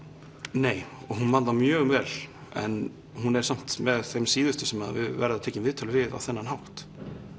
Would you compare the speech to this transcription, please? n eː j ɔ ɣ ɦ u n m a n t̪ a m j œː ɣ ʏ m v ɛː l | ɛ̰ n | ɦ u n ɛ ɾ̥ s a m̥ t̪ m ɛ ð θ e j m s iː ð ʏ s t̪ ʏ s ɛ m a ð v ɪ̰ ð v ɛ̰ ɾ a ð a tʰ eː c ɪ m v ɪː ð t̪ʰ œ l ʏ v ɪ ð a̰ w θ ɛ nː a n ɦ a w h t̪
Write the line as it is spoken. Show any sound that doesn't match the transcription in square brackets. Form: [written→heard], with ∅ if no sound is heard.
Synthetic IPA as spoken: n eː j ɔ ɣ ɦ u n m a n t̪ a m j œː ɣ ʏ m v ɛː l | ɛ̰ n | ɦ u n ɛ ɾ̥ s a m̥ t̪ m ɛ ð θ e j m s iː ð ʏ s t̪ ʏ s ɛ m a ð v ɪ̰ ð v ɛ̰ ɾ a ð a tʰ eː c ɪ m v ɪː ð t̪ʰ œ l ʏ v ɪ ð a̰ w θ ɛ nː a n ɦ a w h t̪